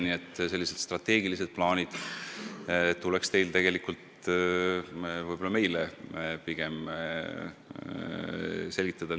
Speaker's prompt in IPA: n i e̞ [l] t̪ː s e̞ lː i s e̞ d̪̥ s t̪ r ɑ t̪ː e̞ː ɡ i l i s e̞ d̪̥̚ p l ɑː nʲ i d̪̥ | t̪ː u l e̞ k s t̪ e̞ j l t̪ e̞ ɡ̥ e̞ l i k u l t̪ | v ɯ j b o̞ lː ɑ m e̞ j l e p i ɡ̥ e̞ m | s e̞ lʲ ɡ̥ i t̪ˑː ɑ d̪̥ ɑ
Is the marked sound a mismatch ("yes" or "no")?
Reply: yes